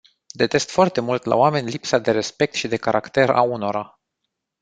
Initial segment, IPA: d̪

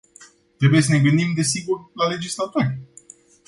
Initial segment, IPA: t̪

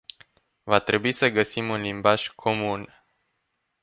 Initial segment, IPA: v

